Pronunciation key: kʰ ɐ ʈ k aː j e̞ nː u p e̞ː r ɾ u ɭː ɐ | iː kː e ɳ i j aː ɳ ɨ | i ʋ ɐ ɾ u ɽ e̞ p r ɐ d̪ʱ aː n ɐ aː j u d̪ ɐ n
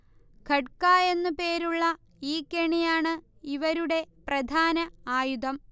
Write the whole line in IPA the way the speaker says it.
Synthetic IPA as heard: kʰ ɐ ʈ k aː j e̞ nː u p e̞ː ɾ u ɭː ɐ | iː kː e ɳ i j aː ɳ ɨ | i ʋ ɐ ɾ u ɽ e̞ p r ɐ d̪ʱ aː n ɐ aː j u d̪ ɐ m